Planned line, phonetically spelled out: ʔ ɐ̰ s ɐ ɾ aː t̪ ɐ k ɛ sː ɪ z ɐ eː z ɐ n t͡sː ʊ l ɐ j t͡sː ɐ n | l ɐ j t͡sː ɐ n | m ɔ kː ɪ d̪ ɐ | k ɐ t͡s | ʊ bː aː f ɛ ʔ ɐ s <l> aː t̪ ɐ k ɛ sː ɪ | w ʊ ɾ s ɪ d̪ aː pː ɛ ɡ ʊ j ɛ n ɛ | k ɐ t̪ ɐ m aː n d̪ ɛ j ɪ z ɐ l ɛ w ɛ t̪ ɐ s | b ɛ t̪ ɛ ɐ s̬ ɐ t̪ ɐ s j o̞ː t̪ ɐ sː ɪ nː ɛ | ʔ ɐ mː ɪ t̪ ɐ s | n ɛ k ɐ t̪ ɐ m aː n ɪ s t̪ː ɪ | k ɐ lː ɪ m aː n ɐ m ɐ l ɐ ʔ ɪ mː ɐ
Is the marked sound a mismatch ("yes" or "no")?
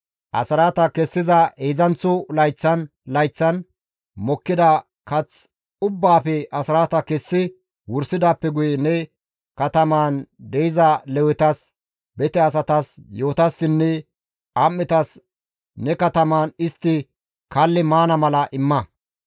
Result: yes